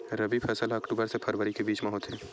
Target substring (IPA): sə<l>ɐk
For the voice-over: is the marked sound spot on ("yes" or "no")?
yes